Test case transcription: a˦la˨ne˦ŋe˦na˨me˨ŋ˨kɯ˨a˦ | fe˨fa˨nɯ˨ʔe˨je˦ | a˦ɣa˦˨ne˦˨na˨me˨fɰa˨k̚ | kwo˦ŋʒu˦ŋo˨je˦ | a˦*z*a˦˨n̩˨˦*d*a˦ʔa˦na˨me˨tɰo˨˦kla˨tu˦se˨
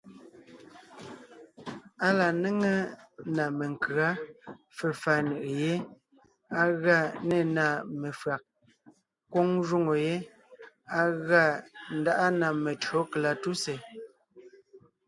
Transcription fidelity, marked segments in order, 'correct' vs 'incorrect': incorrect, correct

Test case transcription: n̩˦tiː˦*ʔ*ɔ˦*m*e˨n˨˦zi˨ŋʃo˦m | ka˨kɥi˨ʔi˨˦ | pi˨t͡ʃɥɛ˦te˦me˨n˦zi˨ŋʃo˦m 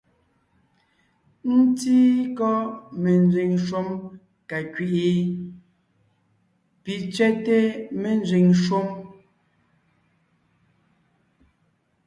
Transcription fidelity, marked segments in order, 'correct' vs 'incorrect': incorrect, correct

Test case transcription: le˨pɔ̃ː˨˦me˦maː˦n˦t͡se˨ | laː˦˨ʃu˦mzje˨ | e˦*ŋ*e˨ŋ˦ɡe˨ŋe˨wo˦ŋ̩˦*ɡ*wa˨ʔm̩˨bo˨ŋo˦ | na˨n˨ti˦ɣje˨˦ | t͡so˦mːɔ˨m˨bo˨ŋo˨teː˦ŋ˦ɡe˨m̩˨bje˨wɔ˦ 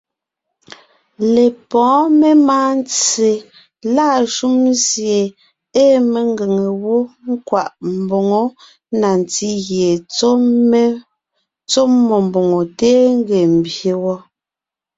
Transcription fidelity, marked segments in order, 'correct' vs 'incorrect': incorrect, incorrect

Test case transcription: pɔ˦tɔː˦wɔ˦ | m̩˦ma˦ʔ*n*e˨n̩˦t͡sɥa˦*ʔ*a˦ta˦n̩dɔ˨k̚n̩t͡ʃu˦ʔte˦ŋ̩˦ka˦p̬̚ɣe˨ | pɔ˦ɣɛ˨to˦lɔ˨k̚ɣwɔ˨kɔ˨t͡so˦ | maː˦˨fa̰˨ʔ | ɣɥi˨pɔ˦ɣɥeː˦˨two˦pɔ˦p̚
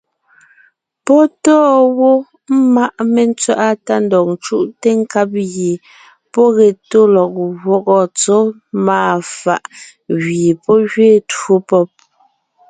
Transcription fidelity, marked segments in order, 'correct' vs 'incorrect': incorrect, correct

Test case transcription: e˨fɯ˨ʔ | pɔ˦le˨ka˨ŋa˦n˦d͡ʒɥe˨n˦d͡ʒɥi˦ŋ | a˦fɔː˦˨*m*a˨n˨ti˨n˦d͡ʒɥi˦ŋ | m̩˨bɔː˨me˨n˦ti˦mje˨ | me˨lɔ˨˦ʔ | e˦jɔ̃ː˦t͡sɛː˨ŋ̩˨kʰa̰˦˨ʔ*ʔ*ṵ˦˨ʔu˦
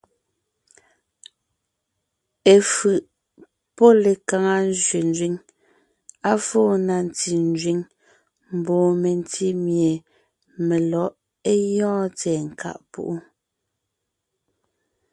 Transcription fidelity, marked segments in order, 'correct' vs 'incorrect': incorrect, incorrect

